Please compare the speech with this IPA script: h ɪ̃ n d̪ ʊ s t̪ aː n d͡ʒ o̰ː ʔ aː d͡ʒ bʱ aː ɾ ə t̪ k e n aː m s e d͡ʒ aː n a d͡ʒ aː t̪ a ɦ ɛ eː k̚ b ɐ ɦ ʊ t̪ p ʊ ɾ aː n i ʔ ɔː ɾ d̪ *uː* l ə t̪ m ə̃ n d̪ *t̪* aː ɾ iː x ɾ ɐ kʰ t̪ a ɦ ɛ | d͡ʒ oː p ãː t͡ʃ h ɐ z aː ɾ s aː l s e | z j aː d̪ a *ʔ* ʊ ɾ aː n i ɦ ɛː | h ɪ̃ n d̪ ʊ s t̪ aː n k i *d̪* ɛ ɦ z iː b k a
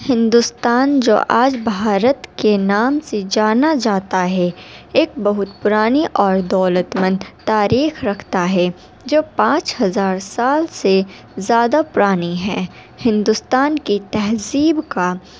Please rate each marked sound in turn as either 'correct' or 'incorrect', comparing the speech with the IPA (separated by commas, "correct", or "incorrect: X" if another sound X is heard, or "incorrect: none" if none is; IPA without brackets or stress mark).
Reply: incorrect: ɔː, correct, incorrect: p, incorrect: t̪